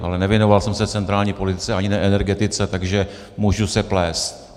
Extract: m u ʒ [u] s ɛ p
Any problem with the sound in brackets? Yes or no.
no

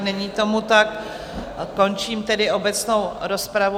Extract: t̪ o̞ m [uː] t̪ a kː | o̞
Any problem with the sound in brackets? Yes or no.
yes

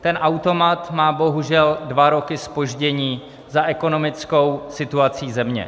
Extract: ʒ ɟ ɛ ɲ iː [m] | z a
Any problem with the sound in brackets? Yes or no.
yes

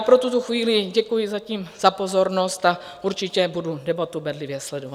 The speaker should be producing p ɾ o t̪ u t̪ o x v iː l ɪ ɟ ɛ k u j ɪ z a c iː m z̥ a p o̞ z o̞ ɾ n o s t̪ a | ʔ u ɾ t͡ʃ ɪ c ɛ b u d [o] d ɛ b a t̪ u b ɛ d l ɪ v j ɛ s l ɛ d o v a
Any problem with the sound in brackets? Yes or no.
yes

